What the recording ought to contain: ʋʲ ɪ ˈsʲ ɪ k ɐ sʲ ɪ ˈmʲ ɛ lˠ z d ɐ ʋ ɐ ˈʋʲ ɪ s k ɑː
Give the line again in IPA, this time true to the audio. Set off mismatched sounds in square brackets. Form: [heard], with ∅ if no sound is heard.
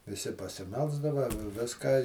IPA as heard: ʋʲ ɪ ˈsʲ ɪ [p] ɐ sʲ ɪ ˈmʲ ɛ lˠ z d ɐ ʋ ɐ ˈʋʲ ɪ s k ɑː